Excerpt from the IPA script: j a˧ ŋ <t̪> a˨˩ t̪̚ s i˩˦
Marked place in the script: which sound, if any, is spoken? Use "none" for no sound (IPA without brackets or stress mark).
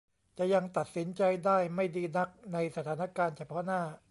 t̪